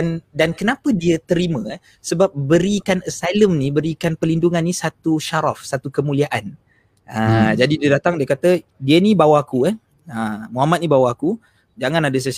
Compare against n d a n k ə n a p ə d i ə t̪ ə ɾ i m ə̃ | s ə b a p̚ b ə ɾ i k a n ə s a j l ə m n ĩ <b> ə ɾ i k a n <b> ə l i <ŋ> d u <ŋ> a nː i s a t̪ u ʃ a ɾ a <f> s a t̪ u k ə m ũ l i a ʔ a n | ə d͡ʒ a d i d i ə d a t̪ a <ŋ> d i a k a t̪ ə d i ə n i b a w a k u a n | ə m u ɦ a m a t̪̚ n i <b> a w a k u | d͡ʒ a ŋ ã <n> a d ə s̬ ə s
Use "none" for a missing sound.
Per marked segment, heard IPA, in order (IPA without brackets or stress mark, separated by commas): b, p, n, ŋ, f, ŋ, b, n